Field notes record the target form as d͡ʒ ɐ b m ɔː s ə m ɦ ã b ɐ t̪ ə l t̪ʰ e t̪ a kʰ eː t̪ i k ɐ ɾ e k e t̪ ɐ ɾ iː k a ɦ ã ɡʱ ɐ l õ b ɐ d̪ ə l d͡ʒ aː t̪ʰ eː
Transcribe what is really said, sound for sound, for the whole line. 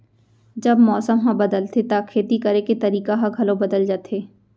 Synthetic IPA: d͡ʒ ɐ b m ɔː s ə m ɦ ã b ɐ d̪ ə l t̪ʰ e t̪ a kʰ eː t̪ i k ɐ ɾ e k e t̪ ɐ ɾ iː k a ɦ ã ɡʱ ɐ l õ b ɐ d̪ ə l d͡ʒ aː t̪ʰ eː